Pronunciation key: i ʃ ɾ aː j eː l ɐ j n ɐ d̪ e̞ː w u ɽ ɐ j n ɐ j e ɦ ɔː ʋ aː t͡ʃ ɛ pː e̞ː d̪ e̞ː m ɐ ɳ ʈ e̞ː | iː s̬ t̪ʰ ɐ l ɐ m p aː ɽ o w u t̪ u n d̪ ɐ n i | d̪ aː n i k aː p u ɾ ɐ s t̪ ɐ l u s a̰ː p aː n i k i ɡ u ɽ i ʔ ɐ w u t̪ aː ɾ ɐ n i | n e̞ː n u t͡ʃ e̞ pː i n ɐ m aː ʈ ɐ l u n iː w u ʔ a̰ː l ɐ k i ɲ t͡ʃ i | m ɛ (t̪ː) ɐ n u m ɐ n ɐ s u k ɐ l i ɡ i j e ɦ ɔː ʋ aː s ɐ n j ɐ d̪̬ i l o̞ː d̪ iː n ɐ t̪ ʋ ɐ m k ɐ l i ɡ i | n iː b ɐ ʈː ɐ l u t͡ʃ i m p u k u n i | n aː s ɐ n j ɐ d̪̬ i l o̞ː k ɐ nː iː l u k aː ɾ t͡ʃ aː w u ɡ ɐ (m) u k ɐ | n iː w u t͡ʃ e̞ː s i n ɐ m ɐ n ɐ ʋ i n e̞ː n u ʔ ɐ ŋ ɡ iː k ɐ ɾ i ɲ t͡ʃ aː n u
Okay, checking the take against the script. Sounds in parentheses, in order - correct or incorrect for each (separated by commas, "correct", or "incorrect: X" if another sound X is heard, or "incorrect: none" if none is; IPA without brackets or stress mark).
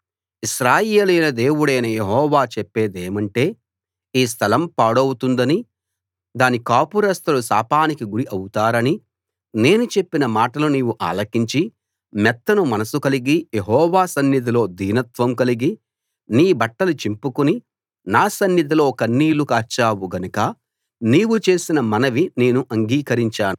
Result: correct, incorrect: n